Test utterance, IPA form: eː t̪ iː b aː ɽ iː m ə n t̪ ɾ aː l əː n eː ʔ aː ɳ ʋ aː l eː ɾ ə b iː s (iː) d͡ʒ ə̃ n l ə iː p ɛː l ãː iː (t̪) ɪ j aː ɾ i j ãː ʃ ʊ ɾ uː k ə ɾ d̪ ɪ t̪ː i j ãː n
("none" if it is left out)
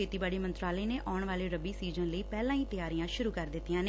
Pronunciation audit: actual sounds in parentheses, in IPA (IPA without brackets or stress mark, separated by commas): iː, t̪